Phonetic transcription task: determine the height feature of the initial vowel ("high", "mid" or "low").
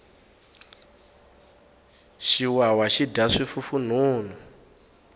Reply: high